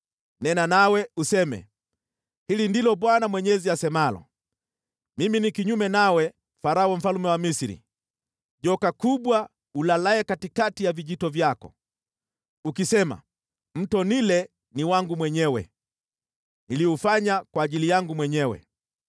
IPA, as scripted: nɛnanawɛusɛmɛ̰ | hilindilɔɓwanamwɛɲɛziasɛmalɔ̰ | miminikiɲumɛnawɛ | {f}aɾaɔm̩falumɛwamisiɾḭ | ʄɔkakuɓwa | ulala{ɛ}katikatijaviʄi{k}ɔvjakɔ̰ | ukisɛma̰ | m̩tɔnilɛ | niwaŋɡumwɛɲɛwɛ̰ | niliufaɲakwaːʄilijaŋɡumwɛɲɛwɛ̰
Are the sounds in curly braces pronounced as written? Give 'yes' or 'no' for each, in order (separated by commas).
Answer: yes, yes, no